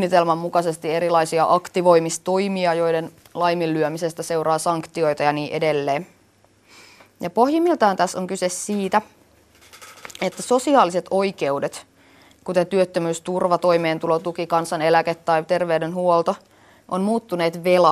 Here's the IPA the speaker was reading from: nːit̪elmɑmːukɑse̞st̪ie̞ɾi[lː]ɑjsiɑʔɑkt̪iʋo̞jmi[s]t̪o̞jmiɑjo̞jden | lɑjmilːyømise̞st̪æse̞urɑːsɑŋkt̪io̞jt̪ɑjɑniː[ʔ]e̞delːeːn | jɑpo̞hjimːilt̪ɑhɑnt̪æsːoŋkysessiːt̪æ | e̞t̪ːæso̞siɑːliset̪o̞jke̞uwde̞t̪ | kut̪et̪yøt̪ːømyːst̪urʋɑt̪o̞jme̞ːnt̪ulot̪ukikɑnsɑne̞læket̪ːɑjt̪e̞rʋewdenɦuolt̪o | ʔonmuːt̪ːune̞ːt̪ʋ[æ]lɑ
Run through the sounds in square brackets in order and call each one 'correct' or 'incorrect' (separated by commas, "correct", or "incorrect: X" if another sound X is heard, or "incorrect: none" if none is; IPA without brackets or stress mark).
incorrect: l, correct, correct, incorrect: e